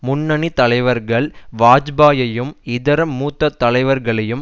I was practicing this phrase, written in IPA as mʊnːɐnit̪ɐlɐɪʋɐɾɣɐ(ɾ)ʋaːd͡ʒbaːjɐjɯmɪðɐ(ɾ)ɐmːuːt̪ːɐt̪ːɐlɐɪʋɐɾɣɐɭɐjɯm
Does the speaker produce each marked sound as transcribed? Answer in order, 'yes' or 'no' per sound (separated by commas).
no, yes